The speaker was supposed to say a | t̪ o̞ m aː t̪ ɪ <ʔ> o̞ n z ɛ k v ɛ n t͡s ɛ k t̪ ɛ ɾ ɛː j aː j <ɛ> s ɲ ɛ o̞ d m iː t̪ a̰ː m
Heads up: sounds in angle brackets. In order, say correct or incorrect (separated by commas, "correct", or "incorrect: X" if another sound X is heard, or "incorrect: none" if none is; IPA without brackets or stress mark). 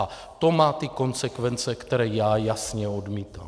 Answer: incorrect: k, incorrect: a